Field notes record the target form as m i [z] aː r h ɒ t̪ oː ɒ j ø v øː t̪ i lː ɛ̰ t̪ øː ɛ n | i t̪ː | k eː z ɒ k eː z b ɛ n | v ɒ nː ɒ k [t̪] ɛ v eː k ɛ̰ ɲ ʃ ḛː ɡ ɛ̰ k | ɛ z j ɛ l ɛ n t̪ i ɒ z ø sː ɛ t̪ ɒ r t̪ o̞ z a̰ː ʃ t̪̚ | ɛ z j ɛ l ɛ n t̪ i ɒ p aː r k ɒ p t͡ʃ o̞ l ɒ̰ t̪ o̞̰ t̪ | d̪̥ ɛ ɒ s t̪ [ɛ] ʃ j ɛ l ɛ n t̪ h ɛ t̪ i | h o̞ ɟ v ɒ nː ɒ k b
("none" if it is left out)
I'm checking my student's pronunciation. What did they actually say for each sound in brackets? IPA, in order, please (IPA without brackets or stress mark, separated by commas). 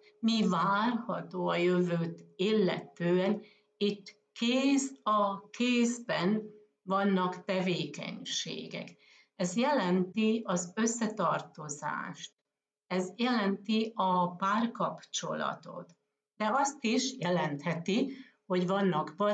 v, t̪, i